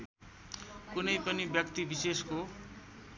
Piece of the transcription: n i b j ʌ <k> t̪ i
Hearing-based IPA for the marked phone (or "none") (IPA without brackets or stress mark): k